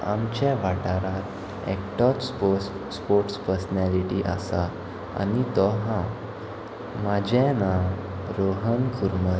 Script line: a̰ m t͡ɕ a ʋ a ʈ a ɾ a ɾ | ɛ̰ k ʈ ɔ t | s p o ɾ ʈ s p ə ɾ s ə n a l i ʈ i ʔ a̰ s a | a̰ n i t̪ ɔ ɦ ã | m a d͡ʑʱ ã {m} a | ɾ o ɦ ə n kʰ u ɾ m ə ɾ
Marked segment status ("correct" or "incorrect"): incorrect